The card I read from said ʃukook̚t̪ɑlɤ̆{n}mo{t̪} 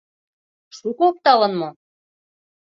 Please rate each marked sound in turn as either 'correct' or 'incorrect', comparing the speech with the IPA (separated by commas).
correct, incorrect